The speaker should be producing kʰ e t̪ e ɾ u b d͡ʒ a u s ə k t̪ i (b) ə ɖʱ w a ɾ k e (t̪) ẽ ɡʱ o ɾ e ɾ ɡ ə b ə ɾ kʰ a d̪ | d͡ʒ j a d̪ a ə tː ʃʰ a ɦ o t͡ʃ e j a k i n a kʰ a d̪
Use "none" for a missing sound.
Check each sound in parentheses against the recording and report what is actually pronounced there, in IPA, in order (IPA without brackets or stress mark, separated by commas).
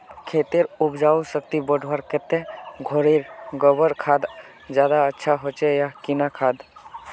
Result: b, t̪